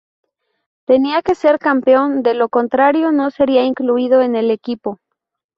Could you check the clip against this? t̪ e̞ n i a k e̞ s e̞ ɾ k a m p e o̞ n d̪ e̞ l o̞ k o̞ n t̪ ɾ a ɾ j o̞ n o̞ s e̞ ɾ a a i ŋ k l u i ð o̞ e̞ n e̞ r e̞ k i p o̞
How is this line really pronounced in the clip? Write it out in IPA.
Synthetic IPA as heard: t̪ e̞ n i a k e̞ s e̞ ɾ k a m p e o̞ n d̪ e̞ l o̞ k o̞ n t̪ ɾ a ɾ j o̞ n o̞ s e̞ ɾ i a i ŋ k l u i ð o̞ e̞ n e̞ l e̞ k i p o̞